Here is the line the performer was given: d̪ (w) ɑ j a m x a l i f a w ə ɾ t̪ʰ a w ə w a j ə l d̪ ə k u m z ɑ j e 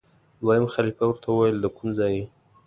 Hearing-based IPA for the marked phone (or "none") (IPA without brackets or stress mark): w